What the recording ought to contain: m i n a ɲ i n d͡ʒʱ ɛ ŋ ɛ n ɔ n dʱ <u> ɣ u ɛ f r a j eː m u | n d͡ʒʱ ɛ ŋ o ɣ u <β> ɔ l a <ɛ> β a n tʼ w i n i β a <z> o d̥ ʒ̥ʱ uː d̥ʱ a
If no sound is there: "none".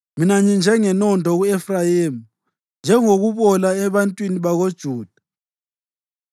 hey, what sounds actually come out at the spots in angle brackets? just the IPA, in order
ɔ, β, ɛ, ɣ

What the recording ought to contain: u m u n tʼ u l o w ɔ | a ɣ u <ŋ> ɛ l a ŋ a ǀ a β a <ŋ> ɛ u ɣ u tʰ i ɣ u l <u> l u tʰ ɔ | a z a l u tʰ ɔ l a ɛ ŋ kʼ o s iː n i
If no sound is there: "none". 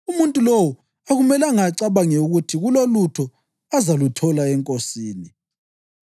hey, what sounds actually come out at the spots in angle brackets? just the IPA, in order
m, ŋ, o

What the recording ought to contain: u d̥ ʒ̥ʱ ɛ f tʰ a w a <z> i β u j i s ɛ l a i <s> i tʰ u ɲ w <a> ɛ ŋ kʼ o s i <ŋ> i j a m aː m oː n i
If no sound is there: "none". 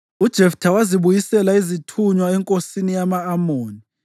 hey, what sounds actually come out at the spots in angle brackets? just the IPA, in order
z, z, a, n

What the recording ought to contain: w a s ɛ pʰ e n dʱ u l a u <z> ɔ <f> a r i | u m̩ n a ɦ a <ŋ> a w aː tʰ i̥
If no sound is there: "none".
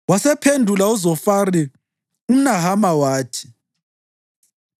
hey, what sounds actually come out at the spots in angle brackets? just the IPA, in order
z, f, m

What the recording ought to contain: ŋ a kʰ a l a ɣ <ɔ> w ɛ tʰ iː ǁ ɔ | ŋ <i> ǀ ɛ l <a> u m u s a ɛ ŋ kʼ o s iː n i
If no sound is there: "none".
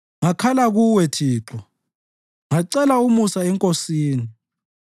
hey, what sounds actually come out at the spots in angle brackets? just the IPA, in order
u, a, a

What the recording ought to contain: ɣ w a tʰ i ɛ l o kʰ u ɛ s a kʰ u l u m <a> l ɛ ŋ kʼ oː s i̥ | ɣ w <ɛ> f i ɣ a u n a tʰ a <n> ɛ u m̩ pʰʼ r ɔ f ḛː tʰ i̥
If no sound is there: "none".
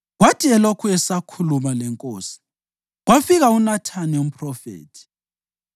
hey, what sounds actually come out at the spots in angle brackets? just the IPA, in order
a, a, n

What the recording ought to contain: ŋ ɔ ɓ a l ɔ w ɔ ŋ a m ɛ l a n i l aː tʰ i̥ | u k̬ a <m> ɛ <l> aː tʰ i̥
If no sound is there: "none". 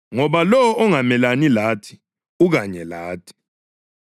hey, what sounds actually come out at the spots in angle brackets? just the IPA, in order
ɲ, l

